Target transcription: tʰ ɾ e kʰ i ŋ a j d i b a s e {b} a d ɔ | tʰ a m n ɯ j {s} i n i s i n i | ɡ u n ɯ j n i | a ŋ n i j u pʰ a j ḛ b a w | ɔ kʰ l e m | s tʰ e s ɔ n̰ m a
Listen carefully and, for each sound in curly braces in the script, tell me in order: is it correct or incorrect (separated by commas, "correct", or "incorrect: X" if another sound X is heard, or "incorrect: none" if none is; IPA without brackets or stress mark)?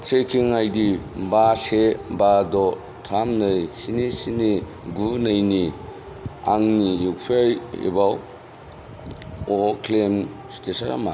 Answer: correct, correct